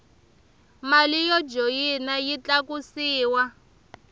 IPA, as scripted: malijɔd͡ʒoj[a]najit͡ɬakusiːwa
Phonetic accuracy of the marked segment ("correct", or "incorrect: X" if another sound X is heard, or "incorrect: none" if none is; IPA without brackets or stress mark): incorrect: i